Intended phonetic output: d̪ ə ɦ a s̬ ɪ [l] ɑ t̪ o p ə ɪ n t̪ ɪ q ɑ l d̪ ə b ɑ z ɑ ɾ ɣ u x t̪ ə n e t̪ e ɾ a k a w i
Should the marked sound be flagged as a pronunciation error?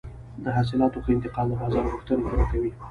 no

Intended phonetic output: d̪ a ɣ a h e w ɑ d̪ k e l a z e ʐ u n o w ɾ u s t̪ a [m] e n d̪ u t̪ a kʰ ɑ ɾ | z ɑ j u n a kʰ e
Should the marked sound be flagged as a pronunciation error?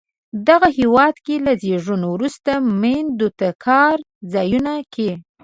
no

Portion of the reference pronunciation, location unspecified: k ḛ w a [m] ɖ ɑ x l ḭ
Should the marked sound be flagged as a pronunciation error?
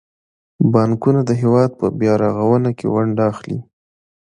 yes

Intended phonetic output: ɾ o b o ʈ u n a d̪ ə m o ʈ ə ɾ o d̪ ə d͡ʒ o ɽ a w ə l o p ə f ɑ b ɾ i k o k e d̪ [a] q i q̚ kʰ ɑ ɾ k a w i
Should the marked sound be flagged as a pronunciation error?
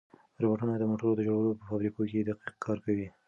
no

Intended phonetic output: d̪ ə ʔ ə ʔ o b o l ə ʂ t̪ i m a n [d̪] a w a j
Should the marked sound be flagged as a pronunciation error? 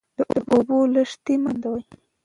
no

